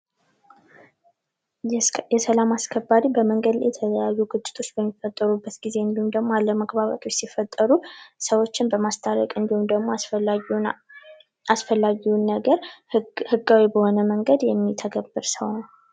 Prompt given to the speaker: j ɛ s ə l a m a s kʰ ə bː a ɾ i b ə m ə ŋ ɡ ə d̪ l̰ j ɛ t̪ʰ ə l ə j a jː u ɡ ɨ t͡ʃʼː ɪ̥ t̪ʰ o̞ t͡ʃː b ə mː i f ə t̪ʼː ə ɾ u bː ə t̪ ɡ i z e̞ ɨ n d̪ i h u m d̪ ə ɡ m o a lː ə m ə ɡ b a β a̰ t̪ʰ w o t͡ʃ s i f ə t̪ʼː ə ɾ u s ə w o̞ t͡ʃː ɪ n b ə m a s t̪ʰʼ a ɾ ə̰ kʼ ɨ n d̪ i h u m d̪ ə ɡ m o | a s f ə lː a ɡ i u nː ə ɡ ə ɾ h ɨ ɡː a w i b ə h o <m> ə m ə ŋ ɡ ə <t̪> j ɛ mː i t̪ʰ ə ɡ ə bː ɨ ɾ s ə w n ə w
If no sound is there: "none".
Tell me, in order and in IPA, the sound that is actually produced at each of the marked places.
n, d̪

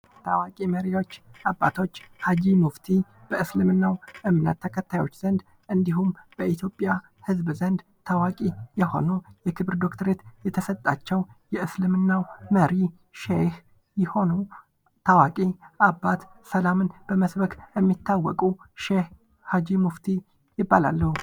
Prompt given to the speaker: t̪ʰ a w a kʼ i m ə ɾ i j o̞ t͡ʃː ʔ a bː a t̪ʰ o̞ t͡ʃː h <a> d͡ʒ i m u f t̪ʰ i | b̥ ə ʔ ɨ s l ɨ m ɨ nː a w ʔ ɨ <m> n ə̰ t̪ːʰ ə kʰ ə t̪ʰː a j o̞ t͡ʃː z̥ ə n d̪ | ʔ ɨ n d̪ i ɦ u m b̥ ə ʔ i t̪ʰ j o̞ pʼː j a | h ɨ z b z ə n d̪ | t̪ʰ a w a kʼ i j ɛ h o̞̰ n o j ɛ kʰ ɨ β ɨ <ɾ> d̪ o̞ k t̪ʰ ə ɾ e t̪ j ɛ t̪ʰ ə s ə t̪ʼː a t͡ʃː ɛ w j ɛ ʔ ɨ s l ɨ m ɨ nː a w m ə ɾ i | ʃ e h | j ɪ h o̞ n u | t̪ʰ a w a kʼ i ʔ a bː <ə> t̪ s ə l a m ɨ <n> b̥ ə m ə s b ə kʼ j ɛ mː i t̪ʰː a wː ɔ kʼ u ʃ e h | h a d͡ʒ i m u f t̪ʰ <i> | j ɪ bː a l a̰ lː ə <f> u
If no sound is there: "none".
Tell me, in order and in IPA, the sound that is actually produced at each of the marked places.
a, m, ɾ, a, n, i, h

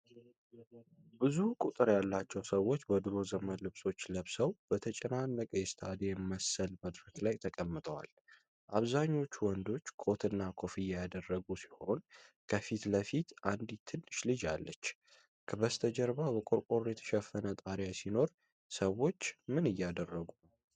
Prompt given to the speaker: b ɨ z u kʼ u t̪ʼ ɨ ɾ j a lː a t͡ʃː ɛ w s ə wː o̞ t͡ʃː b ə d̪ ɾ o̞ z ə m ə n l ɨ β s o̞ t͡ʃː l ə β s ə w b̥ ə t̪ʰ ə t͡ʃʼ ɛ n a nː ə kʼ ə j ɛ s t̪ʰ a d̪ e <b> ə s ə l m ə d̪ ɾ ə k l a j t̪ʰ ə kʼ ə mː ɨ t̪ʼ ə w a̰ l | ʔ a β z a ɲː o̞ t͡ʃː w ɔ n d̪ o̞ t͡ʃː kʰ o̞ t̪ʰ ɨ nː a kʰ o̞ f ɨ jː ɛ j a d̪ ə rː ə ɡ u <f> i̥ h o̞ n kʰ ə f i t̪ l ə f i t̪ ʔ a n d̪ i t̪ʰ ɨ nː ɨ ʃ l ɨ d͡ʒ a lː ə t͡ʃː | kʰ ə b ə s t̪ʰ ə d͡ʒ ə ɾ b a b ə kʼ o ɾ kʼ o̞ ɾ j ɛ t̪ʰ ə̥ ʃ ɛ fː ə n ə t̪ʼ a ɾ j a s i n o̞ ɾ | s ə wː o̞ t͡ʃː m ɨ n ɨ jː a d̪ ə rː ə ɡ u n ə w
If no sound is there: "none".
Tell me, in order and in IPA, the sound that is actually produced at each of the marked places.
m, s

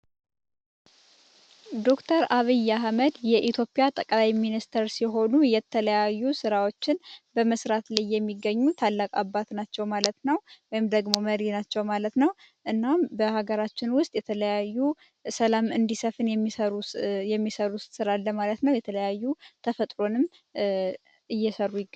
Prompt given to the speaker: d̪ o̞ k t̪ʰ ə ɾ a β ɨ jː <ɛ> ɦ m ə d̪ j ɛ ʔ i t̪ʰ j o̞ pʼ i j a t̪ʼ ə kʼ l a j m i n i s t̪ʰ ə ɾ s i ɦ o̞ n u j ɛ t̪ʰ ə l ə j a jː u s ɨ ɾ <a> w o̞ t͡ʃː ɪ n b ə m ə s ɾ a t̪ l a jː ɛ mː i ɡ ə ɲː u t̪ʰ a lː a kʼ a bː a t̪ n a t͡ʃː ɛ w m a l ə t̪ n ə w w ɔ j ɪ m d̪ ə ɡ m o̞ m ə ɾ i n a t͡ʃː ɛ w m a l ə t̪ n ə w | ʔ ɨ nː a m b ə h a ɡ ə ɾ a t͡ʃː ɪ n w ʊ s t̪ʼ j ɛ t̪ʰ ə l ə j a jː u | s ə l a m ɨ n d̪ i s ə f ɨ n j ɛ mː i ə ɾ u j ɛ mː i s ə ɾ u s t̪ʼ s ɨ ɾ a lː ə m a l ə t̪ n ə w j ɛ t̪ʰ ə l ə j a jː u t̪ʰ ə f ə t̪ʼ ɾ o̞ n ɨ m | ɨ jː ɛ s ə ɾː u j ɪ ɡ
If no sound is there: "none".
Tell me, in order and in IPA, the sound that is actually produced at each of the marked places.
a, a

